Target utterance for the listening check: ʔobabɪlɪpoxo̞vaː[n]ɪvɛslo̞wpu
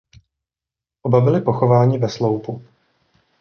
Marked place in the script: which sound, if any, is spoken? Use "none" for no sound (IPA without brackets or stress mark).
ɲ